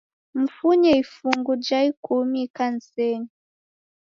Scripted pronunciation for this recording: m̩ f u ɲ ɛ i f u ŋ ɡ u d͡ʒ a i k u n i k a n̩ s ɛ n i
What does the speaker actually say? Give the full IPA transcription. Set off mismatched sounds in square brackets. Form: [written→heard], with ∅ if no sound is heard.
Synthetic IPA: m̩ f u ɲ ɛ i f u ŋ ɡ u d͡ʒ a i k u [n→m] i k a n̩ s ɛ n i